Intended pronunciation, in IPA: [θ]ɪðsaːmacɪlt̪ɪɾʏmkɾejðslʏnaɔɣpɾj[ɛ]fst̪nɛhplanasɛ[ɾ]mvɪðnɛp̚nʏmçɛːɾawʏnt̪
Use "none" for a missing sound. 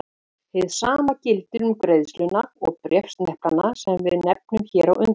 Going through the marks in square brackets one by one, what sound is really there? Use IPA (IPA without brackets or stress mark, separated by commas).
h, ɛ, none